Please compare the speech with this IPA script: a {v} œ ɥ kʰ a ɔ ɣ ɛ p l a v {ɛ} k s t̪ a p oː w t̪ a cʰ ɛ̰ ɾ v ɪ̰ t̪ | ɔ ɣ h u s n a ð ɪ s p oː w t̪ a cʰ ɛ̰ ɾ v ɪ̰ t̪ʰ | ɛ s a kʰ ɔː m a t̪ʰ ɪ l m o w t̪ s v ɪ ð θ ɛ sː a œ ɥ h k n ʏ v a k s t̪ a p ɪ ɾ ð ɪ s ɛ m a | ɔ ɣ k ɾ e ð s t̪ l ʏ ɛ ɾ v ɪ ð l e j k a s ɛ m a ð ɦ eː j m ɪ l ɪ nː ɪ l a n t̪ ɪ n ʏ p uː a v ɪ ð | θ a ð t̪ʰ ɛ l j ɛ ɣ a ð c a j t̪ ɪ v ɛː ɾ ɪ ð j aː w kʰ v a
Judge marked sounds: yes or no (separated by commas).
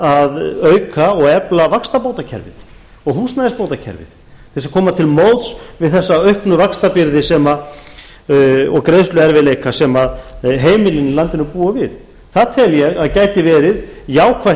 no, no